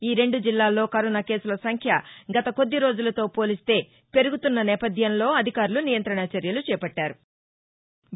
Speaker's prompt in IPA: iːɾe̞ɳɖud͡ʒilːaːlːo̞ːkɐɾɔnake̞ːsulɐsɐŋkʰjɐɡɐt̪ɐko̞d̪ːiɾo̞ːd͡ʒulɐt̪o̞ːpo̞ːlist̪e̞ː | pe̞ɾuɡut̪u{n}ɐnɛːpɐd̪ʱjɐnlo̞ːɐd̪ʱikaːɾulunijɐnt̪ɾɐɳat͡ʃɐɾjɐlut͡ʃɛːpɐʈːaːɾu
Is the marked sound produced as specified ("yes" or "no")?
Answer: no